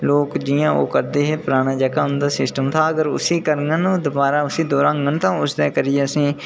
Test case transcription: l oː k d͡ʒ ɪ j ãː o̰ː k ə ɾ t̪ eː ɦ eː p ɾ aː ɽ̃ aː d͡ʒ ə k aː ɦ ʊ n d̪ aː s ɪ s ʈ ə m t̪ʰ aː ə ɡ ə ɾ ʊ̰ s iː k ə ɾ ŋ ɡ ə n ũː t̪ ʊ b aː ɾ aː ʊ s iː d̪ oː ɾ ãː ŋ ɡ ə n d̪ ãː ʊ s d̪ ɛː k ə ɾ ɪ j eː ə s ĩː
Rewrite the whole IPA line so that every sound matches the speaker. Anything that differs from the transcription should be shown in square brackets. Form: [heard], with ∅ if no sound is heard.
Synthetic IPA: l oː k d͡ʒ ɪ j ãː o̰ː k ə ɾ [d̪] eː ɦ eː p ɾ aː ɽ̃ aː d͡ʒ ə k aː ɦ ʊ n d̪ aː s ɪ s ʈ ə m t̪ʰ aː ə ɡ ə ɾ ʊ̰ s iː k ə ɾ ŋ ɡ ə n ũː [d̪] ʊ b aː ɾ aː ʊ s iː d̪ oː ɾ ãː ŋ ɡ ə n [t̪] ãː ʊ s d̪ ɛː k ə ɾ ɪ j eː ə s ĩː

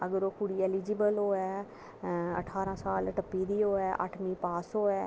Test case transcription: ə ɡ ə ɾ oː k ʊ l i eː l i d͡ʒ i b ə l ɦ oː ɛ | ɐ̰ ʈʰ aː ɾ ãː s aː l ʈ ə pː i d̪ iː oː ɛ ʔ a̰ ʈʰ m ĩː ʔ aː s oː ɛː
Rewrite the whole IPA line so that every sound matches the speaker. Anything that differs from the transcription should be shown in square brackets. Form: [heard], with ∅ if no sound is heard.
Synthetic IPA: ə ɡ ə ɾ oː k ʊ [ɽ] i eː l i d͡ʒ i b ə l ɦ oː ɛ | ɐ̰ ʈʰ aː ɾ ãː s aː l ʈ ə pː i d̪ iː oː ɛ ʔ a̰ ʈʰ m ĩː [p] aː s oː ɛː

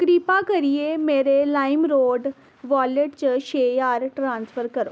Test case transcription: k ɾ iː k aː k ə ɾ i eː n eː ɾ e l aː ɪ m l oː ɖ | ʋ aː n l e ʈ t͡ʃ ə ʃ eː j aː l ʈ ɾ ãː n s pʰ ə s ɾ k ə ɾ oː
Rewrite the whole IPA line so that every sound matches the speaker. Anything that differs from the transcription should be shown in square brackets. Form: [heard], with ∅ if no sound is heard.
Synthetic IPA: k ɾ iː [p] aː k ə ɾ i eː [m] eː ɾ e l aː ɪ m [ɾ] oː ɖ | ʋ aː [∅] l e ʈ t͡ʃ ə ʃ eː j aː [ɾ] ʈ ɾ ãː n s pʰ ə [∅] ɾ k ə ɾ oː

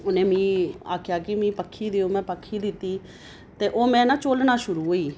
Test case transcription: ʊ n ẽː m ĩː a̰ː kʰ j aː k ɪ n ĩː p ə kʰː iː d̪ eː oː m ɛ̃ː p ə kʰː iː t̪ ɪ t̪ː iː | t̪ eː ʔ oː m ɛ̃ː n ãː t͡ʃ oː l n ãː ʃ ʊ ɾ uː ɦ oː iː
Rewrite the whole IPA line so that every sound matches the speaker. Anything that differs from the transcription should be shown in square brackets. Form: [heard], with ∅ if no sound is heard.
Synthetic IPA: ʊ n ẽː m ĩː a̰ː kʰ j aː k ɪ [m] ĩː p ə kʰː iː d̪ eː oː m ɛ̃ː p ə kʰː iː [d̪] ɪ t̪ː iː | t̪ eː ʔ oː m ɛ̃ː n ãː t͡ʃ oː l n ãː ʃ ʊ ɾ uː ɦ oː iː

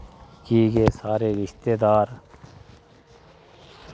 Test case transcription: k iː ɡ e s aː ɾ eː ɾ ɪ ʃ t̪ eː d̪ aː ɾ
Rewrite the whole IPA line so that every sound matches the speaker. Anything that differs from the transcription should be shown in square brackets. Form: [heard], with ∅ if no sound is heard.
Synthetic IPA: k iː ɡ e s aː ɾ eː ɾ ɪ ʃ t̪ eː d̪ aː ɾ

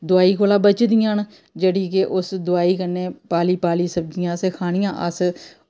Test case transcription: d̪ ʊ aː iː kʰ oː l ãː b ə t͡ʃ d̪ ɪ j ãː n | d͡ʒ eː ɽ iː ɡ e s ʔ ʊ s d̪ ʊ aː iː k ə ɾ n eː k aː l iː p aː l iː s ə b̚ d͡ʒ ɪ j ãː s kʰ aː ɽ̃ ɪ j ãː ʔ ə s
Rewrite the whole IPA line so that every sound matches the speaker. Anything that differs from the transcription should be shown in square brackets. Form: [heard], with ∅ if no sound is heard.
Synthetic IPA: d̪ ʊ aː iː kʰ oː l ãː b ə t͡ʃ d̪ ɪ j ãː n | d͡ʒ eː ɽ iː [k] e [∅] ʔ ʊ s d̪ ʊ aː iː k ə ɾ n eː [p] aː l iː p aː l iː s ə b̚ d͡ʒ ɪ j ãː s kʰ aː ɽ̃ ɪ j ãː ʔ ə s

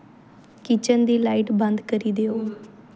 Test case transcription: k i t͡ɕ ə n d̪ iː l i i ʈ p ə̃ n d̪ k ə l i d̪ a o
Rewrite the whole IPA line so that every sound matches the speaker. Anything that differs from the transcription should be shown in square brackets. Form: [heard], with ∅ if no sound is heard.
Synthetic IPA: k i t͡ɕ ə n d̪ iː l [a] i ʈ [b] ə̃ n d̪ k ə [ɾ] i d̪ [e] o

